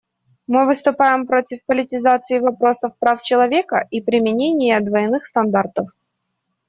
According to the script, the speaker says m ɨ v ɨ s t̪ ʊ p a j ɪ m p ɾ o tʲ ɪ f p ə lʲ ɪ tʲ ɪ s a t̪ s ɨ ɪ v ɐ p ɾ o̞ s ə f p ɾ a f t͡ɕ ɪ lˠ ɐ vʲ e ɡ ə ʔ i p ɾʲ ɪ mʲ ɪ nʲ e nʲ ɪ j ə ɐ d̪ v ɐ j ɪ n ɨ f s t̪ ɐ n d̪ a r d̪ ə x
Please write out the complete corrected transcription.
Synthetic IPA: m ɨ v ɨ s t̪ ʊ p a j ɪ m p ɾ o tʲ ɪ f p ə lʲ ɪ tʲ ɪ z a t̪ s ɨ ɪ v ɐ p ɾ o̞ s ə f p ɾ a f t͡ɕ ɪ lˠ ɐ vʲ e k ə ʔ i p ɾʲ ɪ mʲ ɪ nʲ e nʲ ɪ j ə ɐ d̪ v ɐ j ɪ n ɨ x s t̪ ɐ n d̪ a r t̪ ə f